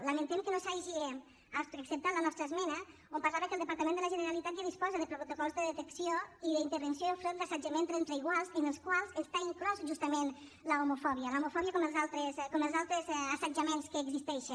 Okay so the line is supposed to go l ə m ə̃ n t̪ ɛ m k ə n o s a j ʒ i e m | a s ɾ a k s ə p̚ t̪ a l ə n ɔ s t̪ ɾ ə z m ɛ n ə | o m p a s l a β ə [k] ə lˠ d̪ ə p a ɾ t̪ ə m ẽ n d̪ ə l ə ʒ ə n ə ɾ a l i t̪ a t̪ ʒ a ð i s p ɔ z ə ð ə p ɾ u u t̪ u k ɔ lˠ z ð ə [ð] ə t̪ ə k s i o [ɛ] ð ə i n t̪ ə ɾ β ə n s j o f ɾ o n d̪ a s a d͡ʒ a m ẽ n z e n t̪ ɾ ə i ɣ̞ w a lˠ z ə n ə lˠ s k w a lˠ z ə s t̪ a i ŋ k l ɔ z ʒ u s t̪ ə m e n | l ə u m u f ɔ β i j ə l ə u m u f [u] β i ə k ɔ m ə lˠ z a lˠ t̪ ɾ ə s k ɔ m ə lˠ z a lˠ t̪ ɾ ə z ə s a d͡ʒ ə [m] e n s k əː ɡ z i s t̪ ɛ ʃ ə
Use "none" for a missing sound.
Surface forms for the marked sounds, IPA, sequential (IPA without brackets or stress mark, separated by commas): k, ð, i, ɔ, m